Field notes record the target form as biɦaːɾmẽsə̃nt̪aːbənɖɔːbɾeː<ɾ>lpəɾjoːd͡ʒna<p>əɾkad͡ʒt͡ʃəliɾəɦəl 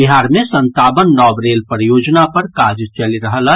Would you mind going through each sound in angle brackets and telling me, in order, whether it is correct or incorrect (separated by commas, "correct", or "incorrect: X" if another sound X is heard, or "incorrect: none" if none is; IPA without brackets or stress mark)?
incorrect: none, correct